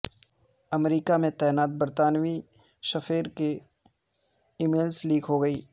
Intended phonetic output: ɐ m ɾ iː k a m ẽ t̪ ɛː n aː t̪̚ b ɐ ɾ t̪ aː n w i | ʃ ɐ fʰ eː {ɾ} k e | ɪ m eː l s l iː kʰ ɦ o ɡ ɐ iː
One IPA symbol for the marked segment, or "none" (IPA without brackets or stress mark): ɾ